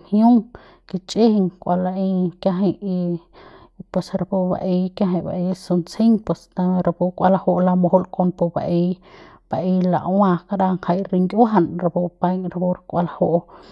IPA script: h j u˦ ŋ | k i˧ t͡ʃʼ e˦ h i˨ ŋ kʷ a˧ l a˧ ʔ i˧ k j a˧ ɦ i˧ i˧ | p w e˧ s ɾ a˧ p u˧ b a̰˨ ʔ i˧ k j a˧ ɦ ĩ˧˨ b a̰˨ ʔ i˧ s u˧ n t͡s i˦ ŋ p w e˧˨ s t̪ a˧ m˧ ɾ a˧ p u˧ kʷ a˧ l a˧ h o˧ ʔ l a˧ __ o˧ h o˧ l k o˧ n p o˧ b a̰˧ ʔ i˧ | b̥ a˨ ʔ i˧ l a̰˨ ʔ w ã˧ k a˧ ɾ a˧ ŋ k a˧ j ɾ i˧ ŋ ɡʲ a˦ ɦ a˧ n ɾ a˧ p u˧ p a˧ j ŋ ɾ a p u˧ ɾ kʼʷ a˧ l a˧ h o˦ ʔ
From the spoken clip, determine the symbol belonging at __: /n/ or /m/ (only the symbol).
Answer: m